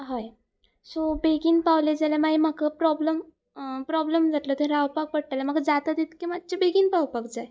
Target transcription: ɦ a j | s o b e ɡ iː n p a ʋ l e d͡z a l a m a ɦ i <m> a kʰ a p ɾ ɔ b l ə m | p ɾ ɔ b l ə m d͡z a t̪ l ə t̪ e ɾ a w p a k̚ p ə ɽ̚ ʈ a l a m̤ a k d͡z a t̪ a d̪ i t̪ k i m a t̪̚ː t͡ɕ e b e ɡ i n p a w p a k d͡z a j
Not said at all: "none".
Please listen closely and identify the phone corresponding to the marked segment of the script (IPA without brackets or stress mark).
m